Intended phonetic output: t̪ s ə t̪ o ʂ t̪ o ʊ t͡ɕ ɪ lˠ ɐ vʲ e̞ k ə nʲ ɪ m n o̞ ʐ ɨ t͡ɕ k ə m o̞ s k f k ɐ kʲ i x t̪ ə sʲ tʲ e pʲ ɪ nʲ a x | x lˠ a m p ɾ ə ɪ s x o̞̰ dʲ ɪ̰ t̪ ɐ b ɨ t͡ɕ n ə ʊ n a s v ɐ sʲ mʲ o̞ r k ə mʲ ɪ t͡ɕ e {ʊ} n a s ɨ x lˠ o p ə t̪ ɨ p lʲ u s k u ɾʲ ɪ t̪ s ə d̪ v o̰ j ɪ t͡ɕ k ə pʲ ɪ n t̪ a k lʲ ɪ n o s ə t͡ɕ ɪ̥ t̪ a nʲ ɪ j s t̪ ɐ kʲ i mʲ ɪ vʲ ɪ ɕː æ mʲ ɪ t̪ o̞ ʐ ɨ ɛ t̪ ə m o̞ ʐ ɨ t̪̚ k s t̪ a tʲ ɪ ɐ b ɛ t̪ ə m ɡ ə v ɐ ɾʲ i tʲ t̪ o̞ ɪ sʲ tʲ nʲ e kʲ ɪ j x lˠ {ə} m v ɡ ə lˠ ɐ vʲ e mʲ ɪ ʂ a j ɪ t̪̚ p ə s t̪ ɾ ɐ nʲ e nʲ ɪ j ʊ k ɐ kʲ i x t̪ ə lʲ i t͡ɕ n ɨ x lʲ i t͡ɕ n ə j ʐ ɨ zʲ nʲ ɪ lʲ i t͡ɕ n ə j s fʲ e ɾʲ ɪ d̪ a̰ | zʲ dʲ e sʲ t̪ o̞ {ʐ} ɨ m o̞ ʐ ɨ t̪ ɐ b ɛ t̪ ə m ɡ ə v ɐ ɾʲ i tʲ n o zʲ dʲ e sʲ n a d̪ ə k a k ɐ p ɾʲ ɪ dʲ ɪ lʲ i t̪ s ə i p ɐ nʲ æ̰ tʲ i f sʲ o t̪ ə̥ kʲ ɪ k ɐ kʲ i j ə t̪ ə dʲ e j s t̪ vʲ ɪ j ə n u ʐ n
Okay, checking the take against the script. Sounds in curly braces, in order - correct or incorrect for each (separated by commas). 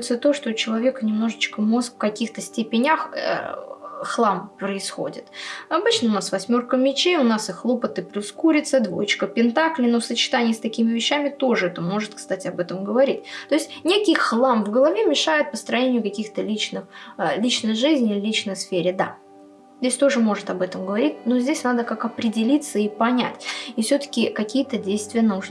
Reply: correct, incorrect, correct